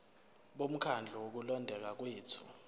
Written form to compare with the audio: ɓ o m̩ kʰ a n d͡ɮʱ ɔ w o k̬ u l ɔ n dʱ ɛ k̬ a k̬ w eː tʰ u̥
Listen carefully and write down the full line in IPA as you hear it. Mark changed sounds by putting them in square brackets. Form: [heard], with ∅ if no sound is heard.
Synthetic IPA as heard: ɓ o m̩ kʰ a n d͡ɮʱ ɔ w o k̬ u l ɔ n dʱ ɛ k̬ a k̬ w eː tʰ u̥